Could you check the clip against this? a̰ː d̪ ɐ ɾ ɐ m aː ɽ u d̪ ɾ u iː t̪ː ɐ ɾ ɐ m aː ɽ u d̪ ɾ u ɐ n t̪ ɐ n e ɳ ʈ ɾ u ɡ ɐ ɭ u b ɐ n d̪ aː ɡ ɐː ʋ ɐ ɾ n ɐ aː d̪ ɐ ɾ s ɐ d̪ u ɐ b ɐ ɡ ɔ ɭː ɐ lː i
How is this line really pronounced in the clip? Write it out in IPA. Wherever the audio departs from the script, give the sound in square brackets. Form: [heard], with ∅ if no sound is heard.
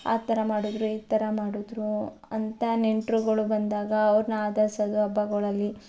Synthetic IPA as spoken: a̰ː [t̪] ɐ ɾ ɐ m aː ɽ u d̪ ɾ u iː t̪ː ɐ ɾ ɐ m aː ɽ u d̪ ɾ u ɐ n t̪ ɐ n e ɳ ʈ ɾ u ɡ ɐ ɭ u b ɐ n d̪ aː ɡ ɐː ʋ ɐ ɾ n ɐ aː d̪ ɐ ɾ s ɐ d̪ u ɐ b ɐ ɡ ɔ [ɭ] ɐ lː i